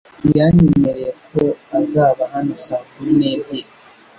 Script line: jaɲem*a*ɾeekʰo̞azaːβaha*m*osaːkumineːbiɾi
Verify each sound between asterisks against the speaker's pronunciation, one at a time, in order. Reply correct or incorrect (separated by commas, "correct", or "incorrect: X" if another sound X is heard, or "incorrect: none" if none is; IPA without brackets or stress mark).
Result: incorrect: e, incorrect: n